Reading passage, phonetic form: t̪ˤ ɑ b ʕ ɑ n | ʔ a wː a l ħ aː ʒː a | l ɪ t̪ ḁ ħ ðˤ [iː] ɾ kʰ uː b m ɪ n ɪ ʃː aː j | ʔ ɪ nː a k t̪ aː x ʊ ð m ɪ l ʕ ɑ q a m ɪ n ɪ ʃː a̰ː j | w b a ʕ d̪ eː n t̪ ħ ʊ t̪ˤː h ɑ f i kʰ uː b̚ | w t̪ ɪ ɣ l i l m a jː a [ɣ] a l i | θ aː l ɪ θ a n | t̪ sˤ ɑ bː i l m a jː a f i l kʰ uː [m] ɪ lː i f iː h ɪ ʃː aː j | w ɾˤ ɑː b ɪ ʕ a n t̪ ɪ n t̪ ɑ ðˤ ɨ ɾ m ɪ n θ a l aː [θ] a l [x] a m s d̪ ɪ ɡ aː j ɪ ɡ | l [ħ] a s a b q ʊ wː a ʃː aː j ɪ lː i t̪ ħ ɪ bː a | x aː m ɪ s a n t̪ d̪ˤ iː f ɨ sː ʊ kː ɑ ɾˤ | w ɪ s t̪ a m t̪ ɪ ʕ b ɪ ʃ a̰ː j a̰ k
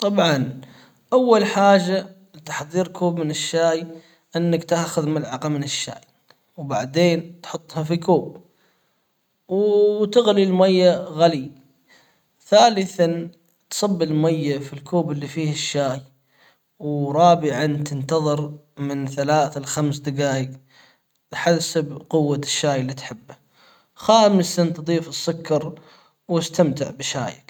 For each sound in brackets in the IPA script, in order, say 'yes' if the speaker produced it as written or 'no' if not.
yes, yes, no, yes, yes, yes

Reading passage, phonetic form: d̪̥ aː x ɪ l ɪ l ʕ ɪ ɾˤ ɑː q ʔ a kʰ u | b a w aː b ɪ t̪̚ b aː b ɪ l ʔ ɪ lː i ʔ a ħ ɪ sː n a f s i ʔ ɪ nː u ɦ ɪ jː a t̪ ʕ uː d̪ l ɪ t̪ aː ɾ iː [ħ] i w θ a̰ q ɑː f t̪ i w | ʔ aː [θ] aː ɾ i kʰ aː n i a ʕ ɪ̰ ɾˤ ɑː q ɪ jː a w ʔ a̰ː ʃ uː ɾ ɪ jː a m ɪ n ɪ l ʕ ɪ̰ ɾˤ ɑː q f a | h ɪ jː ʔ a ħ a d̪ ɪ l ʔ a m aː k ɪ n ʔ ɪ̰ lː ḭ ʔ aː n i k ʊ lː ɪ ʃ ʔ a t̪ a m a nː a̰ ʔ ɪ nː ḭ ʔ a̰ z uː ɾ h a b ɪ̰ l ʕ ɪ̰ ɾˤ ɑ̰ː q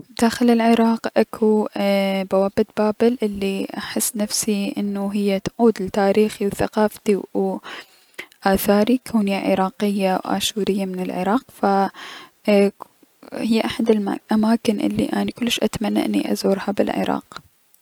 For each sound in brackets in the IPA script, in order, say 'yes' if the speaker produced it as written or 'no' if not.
no, yes

